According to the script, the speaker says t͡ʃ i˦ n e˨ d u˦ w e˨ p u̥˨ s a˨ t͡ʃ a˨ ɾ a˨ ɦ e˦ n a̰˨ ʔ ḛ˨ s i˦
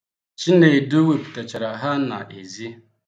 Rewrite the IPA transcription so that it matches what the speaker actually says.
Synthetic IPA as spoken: t͡ʃ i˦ n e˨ d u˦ w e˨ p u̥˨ t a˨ t͡ʃ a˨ ɾ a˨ ɦ a˦ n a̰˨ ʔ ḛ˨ z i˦